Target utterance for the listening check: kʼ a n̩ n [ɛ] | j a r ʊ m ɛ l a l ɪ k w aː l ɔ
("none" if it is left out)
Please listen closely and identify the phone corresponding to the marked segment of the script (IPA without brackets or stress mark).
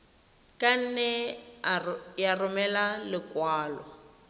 ɛ